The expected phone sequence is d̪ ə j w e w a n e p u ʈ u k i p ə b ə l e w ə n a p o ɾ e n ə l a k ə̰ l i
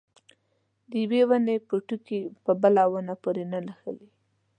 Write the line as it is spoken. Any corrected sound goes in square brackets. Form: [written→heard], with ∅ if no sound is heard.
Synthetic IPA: d̪ ə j w e w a n e p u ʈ u k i p ə b ə l [e→a] w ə n a p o ɾ e n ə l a [k→x] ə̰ l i